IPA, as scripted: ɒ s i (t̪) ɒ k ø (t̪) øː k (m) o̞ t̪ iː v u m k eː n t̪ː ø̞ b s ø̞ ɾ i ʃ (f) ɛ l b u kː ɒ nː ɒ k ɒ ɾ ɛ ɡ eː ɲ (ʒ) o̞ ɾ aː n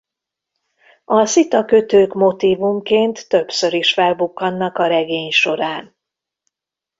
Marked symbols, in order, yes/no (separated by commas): yes, yes, yes, yes, no